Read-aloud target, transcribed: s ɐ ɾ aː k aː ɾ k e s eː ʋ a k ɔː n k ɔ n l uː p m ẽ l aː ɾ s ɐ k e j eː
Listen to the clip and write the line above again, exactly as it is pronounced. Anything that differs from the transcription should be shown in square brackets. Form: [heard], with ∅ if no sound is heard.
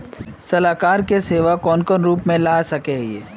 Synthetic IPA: s ɐ [l] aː k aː ɾ k e s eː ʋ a k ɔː n k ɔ n [ɾ] uː p m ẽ l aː [∅] s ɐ k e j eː